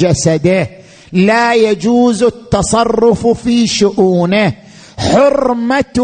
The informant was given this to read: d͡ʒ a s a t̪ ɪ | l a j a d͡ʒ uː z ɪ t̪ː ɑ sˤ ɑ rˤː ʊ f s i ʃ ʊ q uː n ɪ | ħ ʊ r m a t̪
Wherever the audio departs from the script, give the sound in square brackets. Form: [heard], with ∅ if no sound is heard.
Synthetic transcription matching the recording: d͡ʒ a s a [d̪] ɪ | l a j a d͡ʒ uː z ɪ t̪ː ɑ sˤ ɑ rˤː ʊ f [f] i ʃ ʊ [ʔ] uː n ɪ | ħ ʊ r m a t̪